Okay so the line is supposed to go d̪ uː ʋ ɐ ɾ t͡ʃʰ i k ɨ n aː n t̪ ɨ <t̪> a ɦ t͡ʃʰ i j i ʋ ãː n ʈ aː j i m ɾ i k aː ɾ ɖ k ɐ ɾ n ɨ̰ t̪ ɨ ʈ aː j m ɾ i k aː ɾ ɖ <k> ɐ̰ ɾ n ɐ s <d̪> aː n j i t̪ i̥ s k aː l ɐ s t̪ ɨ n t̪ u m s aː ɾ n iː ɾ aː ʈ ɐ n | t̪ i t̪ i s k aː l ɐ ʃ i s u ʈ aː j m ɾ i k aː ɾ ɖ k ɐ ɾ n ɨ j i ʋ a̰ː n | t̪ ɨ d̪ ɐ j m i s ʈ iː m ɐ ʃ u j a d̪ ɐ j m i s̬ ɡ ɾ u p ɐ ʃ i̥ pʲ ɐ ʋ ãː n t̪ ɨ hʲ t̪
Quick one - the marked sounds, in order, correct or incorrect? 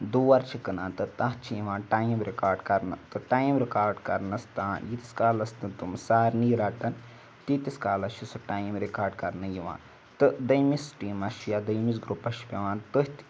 correct, correct, incorrect

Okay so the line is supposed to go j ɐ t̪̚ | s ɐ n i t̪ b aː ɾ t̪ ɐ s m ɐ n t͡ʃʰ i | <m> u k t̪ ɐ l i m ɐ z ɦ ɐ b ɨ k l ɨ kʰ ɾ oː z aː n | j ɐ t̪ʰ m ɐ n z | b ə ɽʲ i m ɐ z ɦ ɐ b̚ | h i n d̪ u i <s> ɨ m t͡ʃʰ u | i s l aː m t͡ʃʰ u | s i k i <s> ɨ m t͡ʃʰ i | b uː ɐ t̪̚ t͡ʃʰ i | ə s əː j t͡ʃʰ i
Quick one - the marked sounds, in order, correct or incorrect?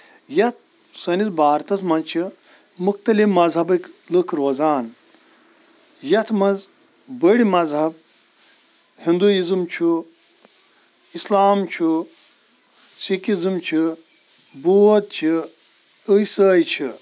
correct, incorrect, incorrect

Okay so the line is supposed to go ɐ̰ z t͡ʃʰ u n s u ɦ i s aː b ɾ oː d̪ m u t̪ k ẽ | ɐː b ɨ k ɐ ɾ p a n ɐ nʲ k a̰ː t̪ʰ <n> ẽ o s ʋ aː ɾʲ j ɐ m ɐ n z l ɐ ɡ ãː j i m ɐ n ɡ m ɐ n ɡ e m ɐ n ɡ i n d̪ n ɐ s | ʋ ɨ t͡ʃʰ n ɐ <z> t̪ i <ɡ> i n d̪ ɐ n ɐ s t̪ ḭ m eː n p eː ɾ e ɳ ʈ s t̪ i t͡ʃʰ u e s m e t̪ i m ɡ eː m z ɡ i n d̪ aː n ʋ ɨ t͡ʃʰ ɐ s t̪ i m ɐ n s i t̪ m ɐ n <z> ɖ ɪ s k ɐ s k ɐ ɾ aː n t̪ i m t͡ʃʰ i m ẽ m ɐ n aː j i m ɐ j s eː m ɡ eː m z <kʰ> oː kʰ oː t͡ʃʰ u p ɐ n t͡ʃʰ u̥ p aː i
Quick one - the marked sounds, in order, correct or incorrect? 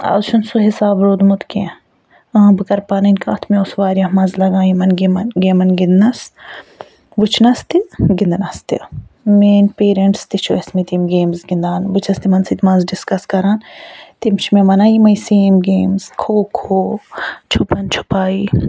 incorrect, incorrect, correct, correct, correct

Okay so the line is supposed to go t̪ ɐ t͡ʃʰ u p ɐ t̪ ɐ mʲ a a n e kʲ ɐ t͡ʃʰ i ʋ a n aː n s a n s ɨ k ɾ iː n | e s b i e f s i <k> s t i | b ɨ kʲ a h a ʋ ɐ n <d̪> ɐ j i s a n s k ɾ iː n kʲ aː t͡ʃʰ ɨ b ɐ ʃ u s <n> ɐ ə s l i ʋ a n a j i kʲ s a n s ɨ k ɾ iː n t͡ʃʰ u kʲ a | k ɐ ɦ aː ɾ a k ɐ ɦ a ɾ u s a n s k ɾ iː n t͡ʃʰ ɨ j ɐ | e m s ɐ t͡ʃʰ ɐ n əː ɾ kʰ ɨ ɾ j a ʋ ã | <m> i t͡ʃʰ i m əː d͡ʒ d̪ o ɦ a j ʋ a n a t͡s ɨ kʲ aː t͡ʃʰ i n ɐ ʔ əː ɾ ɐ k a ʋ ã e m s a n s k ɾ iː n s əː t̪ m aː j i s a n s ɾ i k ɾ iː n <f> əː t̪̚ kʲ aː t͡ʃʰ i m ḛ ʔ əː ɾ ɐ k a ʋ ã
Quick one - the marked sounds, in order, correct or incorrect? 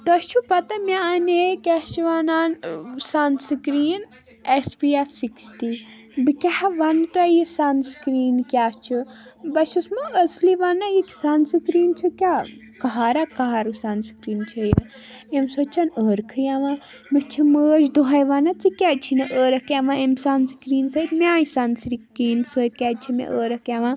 correct, incorrect, incorrect, correct, incorrect

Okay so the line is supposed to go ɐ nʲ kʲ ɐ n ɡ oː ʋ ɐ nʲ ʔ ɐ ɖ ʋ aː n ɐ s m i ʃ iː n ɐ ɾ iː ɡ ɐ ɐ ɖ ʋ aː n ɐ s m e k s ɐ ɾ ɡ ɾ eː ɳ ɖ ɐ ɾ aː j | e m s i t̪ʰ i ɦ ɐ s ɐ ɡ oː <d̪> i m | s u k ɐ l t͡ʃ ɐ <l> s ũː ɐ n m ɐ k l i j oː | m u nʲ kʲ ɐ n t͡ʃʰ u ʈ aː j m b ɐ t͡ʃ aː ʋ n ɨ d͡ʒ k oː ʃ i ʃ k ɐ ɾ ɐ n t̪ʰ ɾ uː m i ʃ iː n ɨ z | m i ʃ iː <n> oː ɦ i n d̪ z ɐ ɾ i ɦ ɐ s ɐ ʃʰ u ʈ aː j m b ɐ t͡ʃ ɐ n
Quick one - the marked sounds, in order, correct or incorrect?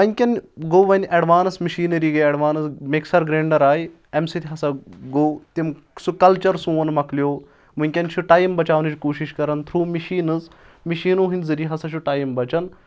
incorrect, incorrect, correct

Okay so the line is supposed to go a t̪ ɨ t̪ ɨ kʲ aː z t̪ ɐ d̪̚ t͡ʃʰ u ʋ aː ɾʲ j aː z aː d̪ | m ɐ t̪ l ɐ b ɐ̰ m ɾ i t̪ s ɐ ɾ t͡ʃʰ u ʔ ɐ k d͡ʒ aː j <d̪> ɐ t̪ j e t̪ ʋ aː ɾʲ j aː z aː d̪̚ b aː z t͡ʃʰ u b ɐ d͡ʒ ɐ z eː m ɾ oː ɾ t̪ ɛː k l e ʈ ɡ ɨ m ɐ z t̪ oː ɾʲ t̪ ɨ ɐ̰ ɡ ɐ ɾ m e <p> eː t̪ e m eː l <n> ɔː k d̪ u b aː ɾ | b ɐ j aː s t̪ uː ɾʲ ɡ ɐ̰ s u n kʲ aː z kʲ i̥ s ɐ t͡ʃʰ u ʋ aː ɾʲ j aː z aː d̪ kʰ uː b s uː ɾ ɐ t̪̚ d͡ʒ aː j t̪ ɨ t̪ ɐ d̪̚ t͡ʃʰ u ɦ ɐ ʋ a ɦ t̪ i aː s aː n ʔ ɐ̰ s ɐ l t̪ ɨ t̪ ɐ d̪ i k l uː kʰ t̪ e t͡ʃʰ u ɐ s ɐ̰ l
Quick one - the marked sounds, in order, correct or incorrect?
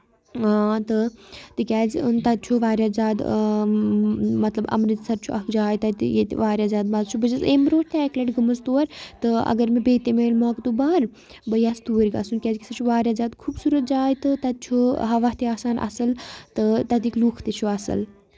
incorrect, incorrect, incorrect

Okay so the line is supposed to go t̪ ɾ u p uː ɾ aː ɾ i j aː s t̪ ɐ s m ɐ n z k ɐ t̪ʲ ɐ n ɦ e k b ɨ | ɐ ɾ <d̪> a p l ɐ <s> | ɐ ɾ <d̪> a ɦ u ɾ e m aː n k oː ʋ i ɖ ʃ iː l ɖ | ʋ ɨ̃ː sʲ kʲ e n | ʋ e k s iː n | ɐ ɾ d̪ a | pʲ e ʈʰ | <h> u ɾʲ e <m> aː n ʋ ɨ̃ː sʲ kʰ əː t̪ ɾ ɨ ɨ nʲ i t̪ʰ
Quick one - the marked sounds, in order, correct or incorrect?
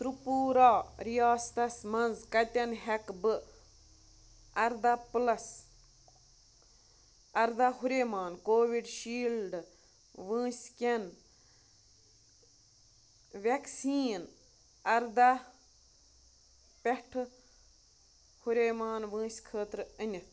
correct, correct, correct, correct, correct

